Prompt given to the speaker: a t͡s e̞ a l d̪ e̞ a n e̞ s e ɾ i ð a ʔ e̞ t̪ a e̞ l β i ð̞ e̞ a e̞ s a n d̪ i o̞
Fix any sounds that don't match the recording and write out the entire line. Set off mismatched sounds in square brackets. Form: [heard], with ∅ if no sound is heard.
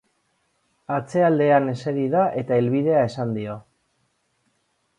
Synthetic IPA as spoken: a t͡s e̞ a l d̪ e̞ a n e̞ s e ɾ i ð a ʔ e̞ t̪ a e̞ l β i ð̞ e̞ a e̞ s a n d̪ i o̞

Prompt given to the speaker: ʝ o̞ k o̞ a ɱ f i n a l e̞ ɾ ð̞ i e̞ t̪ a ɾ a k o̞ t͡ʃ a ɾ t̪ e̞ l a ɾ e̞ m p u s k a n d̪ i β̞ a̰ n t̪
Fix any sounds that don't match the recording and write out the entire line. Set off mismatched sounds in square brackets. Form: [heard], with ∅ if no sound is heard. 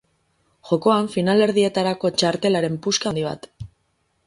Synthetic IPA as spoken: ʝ o̞ k o̞ a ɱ f i n a l e̞ ɾ ð̞ i e̞ t̪ a ɾ a k o̞ t͡ʃ a ɾ t̪ e̞ l a ɾ e̞ m p u s k a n d̪ i β̞ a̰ [∅] t̪

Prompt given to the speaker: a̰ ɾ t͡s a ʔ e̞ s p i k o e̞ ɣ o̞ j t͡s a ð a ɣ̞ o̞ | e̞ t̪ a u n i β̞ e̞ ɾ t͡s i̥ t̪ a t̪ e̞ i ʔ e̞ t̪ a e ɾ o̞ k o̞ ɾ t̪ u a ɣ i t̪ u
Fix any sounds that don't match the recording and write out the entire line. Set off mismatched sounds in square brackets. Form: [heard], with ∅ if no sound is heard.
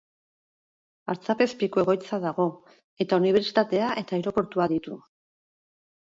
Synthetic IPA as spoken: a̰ ɾ t͡s a [p] e̞ s p i k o e̞ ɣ o̞ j t͡s a ð a ɣ̞ o̞ | e̞ t̪ a u n i β̞ e̞ ɾ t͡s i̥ t̪ a t̪ e̞ [a] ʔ e̞ t̪ a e ɾ o̞ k o̞ ɾ t̪ u a [ð] i t̪ u

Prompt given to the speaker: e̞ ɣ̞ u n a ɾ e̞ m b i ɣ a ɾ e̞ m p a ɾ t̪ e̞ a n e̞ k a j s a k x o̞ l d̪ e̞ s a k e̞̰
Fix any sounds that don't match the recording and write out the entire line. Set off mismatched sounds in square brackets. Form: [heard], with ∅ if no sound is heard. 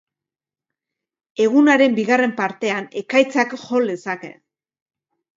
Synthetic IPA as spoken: e̞ ɣ̞ u n a ɾ e̞ m b i ɣ a [r] e̞ m p a ɾ t̪ e̞ a n e̞ k a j [t͡s] a k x o̞ l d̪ e̞ s a k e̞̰

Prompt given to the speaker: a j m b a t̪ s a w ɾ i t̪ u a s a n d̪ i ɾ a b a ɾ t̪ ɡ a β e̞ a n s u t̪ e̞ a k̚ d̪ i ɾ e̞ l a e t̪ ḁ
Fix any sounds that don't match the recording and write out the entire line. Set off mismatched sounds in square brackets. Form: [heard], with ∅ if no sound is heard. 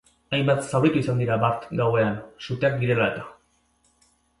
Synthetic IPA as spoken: a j m b a t̪ s a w ɾ i t̪ u [i] s a n d̪ i ɾ a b a ɾ t̪ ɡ a [w] e̞ a n s u t̪ e̞ a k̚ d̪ i ɾ e̞ l a e t̪ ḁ

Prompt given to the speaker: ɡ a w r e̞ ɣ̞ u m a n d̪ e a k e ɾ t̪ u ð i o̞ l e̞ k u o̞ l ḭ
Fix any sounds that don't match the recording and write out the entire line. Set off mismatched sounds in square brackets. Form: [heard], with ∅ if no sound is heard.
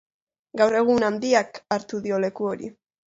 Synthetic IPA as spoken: ɡ a w r e̞ ɣ̞ u [n] a n d̪ [i] a k [a] ɾ t̪ u ð i o̞ l e̞ k u o̞ [ɾ] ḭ

